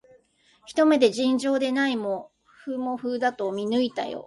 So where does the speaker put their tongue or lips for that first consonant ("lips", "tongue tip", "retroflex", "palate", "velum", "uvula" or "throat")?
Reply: palate